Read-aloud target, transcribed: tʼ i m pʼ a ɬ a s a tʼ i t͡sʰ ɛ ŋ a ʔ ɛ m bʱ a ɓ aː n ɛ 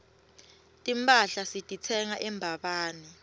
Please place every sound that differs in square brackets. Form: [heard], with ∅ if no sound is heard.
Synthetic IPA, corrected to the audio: tʼ i m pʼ a ɬ a s [i] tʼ i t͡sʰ ɛ ŋ a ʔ ɛ m bʱ a ɓ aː n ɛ

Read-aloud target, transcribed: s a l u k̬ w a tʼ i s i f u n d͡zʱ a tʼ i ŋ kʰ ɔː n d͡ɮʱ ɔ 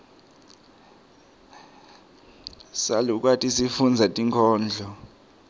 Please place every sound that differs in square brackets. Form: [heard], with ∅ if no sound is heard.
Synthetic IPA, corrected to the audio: s a l u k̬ w a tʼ i s i f u n d͡zʱ a tʼ i ŋ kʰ ɔː n d͡ɮʱ ɔ

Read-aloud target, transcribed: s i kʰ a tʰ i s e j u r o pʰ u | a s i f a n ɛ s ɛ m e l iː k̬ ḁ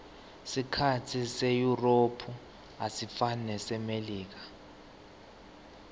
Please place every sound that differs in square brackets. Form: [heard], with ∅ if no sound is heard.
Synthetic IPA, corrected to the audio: s i kʰ a tʰ i s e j u r o pʰ u | a s i f a n ɛ s ɛ m e l iː k̬ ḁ

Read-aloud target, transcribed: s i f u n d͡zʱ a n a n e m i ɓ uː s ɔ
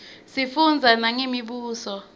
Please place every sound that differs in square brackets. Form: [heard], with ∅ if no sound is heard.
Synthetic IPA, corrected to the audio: s i f u n d͡zʱ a n a [ŋ] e m i ɓ uː s ɔ

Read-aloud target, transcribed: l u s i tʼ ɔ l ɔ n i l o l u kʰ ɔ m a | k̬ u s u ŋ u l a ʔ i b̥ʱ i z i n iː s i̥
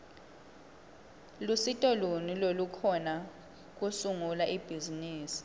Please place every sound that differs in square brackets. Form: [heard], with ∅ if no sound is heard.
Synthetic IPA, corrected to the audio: l u s i tʼ ɔ l [u] n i l o l u kʰ ɔ [n] a | k̬ u s u ŋ u l a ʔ i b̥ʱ i z i n iː s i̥

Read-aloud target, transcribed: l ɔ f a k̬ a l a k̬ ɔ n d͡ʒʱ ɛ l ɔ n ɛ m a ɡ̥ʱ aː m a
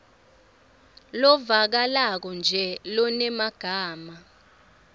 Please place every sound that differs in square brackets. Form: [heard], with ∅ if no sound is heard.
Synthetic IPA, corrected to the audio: l ɔ [v] a k̬ a l a k̬ ɔ n d͡ʒʱ ɛ l ɔ n ɛ m a ɡ̥ʱ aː m a

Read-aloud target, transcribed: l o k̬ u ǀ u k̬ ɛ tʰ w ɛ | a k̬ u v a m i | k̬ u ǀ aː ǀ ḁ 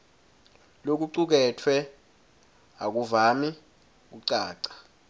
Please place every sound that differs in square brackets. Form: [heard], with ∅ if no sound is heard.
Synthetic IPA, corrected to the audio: l o k̬ u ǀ u k̬ ɛ tʰ w ɛ | a k̬ u v a m i | k̬ u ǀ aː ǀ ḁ

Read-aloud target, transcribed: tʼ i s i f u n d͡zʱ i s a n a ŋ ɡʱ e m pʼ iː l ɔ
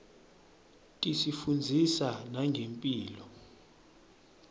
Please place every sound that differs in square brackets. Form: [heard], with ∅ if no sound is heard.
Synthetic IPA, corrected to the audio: tʼ i s i f u n d͡zʱ i s a n a ŋ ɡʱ e m pʼ iː l ɔ

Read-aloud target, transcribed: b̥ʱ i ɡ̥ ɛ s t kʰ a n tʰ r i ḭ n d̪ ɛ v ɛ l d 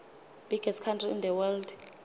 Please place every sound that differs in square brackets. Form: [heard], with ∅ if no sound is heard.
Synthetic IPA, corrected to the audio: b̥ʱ i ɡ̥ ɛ s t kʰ a n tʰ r i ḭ n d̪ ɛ [w] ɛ l d

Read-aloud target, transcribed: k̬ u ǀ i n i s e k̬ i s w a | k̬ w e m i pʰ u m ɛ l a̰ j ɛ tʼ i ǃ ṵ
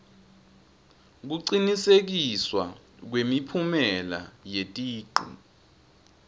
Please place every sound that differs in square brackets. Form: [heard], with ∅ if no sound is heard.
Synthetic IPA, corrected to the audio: k̬ u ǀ i n i s e k̬ i s w a | k̬ w e m i pʰ u m ɛ l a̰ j [e] tʼ [iː] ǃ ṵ

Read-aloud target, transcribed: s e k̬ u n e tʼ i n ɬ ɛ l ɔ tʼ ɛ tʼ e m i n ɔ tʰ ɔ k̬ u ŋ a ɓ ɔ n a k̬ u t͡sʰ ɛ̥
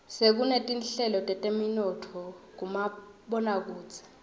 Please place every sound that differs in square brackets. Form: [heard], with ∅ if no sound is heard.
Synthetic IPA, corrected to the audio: s e k̬ u n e tʼ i n ɬ ɛ l ɔ tʼ ɛ tʼ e m i n ɔ tʰ ɔ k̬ u [m] a ɓ ɔ n a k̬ [uː] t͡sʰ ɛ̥

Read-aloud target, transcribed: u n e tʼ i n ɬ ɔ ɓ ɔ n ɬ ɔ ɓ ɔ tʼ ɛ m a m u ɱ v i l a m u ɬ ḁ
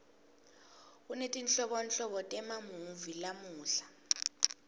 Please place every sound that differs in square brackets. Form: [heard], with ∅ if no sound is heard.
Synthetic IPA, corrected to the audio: u n e tʼ i n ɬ ɔ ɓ ɔ n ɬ ɔ ɓ ɔ tʼ ɛ m a m u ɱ v i l a m [uː] ɬ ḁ

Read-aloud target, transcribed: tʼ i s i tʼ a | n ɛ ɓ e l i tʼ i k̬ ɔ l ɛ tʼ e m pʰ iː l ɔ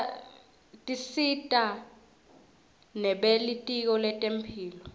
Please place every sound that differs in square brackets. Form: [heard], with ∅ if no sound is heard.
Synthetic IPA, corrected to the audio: tʼ i s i tʼ a | n ɛ ɓ e l i tʼ i k̬ ɔ l ɛ tʼ e m pʰ iː l ɔ

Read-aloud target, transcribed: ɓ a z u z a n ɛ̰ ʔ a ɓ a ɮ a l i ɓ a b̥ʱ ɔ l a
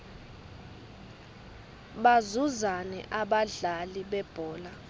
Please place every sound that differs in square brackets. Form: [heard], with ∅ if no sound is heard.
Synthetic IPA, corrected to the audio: ɓ a z u z a n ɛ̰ ʔ a ɓ a ɮ a l i ɓ [ɛ] b̥ʱ [ɔː] l a

